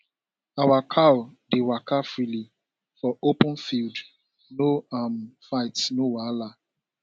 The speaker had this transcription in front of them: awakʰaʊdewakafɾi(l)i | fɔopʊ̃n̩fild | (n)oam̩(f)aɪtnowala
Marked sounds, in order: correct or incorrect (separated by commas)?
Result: correct, correct, correct